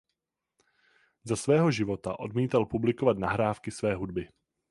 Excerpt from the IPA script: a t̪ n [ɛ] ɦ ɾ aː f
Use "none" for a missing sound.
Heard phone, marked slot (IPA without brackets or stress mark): a